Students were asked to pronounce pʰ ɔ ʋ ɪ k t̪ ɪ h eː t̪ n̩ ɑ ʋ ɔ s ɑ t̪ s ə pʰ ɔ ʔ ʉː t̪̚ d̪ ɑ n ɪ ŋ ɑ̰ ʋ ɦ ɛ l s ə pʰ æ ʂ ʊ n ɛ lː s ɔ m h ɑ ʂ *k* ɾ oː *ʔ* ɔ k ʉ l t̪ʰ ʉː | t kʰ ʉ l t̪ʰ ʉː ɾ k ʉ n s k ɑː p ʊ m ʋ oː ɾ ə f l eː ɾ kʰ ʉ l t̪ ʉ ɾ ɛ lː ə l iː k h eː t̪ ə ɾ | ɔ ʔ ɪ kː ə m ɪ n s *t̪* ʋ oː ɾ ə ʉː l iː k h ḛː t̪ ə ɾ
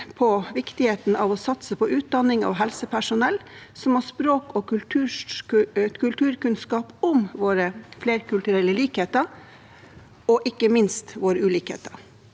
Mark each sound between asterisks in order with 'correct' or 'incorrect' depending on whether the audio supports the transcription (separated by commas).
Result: incorrect, incorrect, correct